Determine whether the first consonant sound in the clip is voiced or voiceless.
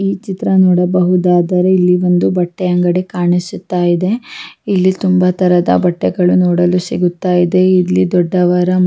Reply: voiceless